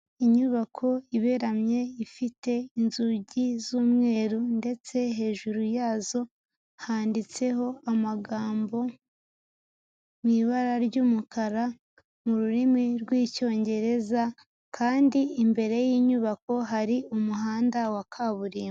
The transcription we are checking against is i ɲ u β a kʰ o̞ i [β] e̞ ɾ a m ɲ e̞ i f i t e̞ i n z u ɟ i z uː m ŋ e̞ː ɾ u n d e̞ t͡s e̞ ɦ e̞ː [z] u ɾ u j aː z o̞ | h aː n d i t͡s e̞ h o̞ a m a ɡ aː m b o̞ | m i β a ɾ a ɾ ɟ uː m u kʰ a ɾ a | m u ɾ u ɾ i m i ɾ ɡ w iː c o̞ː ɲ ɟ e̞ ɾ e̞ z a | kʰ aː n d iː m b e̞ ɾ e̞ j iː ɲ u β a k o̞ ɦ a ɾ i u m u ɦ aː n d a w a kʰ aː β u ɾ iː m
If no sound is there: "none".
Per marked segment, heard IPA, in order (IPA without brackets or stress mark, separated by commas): β, ʒ